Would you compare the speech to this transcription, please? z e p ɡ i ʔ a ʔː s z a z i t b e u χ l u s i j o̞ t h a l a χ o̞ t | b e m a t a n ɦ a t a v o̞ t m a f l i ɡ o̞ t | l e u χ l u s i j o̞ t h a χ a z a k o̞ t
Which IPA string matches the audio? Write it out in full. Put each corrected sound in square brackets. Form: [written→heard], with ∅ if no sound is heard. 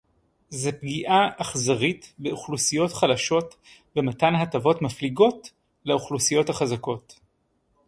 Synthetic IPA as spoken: z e p ɡ i ʔ a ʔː [s→χ] z a [z→ʁ] i t b e u χ l u s i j o̞ t [h→χ] a l a [χ→ʃ] o̞ t | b e m a t a n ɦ a t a v o̞ t m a f l i ɡ o̞ t | l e u χ l u s i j o̞ t h a χ a z a k o̞ t